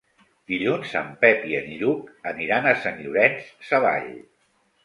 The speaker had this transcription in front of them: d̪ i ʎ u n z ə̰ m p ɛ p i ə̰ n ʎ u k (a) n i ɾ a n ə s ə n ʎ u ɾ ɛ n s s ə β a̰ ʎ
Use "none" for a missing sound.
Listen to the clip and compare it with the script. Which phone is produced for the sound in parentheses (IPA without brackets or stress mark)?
ə